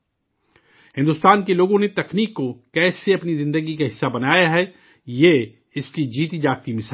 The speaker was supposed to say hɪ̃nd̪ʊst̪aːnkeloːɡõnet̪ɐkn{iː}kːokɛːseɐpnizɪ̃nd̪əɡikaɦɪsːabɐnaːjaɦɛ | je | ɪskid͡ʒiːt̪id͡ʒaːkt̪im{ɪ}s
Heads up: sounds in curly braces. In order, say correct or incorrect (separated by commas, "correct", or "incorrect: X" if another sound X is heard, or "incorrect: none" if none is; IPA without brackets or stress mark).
correct, correct